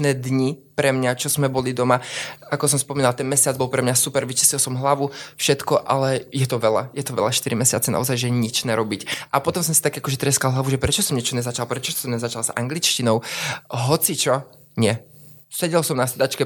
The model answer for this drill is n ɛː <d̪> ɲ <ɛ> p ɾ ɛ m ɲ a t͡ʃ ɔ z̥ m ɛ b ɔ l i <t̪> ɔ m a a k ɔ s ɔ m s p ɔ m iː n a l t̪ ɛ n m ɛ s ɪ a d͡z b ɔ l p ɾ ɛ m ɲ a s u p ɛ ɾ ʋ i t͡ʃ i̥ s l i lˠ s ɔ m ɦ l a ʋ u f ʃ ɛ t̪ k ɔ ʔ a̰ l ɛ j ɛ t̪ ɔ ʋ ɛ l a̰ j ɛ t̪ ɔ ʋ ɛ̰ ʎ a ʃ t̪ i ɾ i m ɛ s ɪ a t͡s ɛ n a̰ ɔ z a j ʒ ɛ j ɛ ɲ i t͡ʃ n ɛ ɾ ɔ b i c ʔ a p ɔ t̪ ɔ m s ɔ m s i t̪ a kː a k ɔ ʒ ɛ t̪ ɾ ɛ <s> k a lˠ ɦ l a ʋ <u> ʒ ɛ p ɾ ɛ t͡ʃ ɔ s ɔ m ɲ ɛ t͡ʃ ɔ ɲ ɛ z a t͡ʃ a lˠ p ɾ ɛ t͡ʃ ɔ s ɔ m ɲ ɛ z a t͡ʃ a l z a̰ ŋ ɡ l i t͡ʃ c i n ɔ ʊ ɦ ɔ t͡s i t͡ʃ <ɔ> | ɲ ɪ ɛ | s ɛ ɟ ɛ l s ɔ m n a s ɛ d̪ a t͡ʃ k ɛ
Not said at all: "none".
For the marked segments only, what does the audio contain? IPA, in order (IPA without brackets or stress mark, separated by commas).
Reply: d̪, i, d̪, s, u, ɔ